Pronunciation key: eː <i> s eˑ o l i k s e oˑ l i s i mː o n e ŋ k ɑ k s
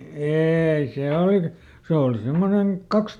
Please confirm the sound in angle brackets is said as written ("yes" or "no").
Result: yes